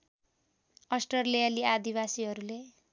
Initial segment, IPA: ʌ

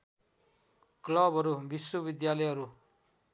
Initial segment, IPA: k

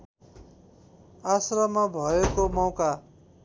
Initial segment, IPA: a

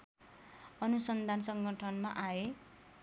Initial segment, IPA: ʌ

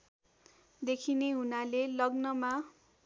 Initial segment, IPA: d̪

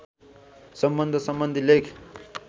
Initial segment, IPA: s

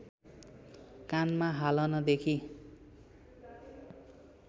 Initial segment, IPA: k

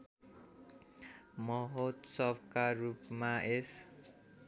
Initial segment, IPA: m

